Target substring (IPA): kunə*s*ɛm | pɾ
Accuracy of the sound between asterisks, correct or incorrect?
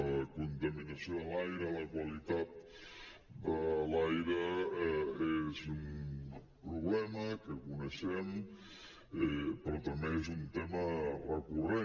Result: incorrect: ʃ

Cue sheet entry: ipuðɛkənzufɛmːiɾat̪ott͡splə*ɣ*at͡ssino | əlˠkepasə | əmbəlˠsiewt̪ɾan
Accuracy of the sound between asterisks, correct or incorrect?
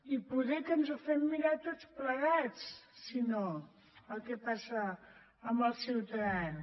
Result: correct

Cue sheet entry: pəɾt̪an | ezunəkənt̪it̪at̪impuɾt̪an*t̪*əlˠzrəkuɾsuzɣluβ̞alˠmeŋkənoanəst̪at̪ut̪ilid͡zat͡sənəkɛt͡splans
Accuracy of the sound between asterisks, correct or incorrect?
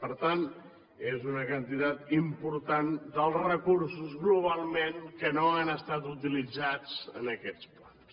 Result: incorrect: d̪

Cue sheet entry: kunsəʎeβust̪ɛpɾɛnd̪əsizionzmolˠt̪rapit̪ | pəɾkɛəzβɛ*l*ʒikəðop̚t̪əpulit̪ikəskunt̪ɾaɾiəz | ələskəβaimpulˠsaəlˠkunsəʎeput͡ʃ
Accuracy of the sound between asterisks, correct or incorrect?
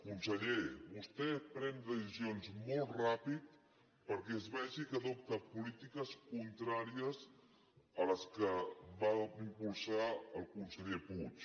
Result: incorrect: none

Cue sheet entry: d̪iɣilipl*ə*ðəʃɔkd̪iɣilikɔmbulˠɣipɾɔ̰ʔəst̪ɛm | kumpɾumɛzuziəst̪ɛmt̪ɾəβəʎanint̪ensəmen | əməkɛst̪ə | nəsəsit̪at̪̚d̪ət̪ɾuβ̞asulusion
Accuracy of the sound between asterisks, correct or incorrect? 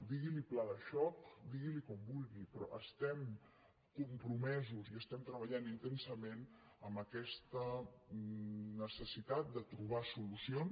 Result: incorrect: a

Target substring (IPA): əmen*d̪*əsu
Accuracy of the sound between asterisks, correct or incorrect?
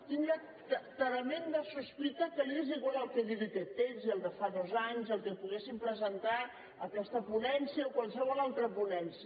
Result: correct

